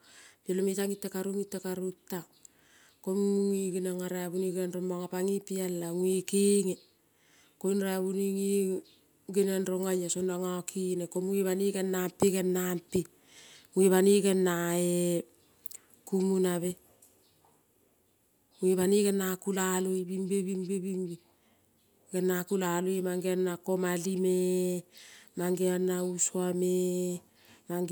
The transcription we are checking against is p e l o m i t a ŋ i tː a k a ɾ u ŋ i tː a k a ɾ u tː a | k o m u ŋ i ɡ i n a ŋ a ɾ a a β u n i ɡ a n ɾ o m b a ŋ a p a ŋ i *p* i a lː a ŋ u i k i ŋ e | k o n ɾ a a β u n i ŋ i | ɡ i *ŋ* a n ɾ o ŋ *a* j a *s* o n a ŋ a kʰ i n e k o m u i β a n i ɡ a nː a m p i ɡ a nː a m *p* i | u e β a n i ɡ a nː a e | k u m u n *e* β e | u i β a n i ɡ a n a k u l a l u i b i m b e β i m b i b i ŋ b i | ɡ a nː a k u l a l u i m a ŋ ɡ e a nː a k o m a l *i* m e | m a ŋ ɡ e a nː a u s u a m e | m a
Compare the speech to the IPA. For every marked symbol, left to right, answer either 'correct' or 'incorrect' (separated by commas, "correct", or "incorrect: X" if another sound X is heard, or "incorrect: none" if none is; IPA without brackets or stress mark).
correct, incorrect: n, correct, correct, correct, incorrect: a, correct